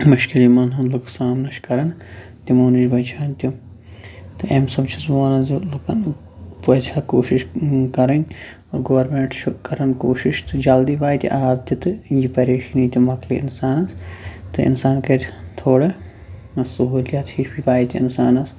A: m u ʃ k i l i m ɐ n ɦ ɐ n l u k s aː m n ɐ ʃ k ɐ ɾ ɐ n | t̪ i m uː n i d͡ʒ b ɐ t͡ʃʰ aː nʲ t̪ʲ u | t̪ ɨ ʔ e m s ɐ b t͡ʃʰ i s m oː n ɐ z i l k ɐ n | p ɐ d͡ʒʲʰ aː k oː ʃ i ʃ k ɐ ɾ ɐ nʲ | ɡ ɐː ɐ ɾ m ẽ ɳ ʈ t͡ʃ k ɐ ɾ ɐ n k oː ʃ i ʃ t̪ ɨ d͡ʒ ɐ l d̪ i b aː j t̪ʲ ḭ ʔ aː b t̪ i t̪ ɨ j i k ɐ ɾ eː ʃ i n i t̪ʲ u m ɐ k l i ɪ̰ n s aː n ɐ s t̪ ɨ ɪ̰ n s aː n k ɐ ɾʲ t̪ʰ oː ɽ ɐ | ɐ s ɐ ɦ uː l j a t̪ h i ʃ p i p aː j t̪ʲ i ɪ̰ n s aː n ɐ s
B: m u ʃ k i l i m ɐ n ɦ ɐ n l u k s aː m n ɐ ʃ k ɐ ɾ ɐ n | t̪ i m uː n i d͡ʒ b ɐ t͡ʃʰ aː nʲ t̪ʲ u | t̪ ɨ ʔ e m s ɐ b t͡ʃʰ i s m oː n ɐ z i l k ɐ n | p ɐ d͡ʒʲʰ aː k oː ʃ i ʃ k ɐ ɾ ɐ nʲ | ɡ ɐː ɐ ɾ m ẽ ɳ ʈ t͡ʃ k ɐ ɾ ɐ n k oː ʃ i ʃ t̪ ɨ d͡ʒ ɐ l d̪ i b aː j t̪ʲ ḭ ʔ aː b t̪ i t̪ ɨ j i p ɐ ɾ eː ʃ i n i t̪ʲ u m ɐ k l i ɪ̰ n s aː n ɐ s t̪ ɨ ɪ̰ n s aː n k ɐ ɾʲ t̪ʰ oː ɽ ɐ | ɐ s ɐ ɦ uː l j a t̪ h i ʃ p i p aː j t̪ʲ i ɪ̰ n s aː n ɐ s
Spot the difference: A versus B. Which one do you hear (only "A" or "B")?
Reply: B